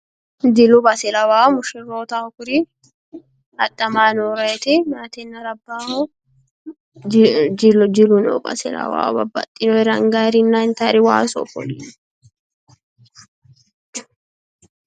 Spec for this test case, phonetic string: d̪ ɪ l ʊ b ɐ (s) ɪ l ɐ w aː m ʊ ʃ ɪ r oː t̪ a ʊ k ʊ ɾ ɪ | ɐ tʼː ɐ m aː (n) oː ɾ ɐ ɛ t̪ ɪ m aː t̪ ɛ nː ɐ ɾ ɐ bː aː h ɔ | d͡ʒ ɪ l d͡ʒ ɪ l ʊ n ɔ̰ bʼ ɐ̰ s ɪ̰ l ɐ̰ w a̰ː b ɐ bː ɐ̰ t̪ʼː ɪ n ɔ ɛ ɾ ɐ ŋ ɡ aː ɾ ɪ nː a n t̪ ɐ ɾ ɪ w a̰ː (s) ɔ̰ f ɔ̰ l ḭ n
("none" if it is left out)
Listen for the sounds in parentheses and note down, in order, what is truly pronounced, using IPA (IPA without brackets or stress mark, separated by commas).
s, n, s